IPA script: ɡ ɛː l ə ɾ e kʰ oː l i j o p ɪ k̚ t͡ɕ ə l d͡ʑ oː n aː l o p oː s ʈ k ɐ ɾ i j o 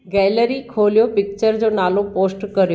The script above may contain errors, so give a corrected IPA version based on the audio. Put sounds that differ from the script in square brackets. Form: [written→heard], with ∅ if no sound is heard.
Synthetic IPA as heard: ɡ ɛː l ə ɾ [e→i] kʰ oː l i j o p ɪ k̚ t͡ɕ ə [l→ɾ] d͡ʑ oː n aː l o p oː s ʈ k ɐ ɾ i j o